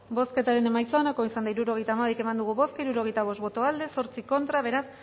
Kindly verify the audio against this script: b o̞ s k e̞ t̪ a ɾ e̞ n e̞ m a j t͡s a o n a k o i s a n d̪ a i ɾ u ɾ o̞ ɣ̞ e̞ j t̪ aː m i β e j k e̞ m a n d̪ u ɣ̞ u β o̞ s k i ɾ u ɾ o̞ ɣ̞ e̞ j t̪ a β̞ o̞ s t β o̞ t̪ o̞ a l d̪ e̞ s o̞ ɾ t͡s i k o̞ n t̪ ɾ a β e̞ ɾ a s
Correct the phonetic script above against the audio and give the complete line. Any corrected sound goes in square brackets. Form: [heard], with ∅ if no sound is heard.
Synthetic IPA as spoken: b o̞ s k e̞ t̪ a ɾ e̞ n e̞ m a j t͡s a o n a k o i s a n d̪ a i ɾ u ɾ o̞ ɣ̞ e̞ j t̪ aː m [a] β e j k e̞ m a n d̪ u ɣ̞ u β o̞ s k i ɾ u ɾ o̞ ɣ̞ e̞ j t̪ a β̞ o̞ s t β o̞ t̪ o̞ a l d̪ e̞ s o̞ ɾ t͡s i k o̞ n t̪ ɾ a β e̞ ɾ a s